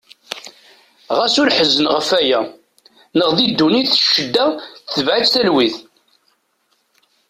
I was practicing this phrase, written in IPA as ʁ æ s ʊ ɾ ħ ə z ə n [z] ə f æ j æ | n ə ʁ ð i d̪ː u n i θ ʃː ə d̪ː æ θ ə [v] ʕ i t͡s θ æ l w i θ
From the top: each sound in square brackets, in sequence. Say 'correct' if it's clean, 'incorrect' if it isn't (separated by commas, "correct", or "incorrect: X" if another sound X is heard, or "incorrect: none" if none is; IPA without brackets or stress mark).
incorrect: ʁ, correct